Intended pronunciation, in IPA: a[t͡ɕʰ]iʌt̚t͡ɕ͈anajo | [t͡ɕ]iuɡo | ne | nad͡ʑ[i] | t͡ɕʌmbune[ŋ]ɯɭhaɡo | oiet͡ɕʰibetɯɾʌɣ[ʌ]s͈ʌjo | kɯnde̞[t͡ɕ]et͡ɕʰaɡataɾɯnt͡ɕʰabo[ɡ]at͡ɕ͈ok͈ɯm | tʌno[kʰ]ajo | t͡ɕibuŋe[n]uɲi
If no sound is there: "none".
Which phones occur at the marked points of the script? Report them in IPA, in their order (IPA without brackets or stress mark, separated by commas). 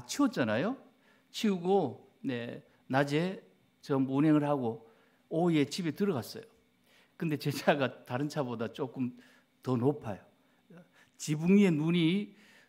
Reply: t͡ɕʰ, t͡ɕʰ, e, ŋ, a, t͡ɕ, d, pʰ, n